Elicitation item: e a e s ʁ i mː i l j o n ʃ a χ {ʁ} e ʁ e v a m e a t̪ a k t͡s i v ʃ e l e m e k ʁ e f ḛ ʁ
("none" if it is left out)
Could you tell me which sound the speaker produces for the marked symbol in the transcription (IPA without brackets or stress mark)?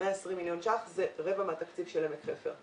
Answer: z